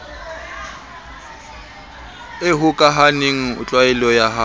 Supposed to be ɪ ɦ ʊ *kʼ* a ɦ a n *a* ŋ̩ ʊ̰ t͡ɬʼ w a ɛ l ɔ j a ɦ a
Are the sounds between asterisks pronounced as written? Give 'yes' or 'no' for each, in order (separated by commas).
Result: yes, no